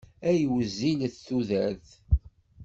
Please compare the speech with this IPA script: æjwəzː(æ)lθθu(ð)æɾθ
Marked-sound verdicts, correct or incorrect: incorrect, correct

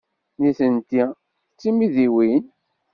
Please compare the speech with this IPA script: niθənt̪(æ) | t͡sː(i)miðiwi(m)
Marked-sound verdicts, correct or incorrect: incorrect, correct, incorrect

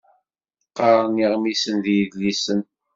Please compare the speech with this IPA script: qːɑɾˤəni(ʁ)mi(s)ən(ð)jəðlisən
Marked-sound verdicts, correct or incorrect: correct, correct, correct

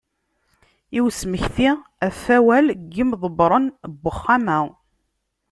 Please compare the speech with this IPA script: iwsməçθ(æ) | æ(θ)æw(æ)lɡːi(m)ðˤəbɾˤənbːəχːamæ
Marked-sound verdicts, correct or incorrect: incorrect, incorrect, correct, correct

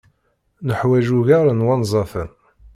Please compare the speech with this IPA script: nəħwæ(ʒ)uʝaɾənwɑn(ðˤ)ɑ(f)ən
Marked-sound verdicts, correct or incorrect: correct, incorrect, correct

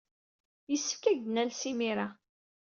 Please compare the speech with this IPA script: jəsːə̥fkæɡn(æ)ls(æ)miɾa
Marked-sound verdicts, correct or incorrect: correct, incorrect

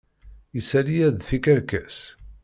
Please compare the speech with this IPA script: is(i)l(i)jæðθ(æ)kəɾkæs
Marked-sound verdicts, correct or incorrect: incorrect, correct, incorrect

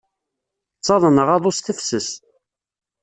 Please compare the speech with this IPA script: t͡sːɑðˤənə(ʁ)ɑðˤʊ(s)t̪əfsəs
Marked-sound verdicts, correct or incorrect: correct, correct

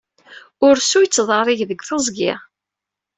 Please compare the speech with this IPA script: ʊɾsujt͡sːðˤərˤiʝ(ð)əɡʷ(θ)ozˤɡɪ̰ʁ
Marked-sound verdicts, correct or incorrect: correct, correct

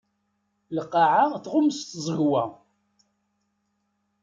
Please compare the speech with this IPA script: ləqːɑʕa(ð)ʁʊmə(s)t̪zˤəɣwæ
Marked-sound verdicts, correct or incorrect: incorrect, correct

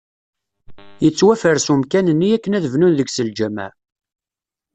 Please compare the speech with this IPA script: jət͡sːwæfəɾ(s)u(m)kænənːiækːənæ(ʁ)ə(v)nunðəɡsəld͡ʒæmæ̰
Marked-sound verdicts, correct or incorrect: correct, correct, incorrect, correct

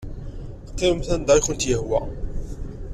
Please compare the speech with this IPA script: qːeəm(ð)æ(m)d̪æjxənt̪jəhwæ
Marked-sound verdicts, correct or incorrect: incorrect, incorrect

